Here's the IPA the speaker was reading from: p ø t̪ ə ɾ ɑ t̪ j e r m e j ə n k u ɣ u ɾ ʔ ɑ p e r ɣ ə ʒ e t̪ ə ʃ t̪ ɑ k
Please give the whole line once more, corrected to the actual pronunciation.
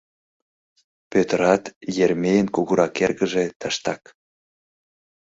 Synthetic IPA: p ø t̪ ə ɾ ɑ t̪ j e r m e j ə n k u ɣ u ɾ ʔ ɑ k e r ɣ ə ʒ e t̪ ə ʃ t̪ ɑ k